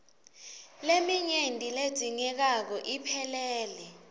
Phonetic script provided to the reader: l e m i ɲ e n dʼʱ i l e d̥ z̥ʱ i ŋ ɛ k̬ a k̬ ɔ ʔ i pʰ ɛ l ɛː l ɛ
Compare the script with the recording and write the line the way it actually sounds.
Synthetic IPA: l e m i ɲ e n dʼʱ i l e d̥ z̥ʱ i ŋ ɛ k̬ a k̬ ɔ ʔ i pʰ ɛ l ɛː l ɛ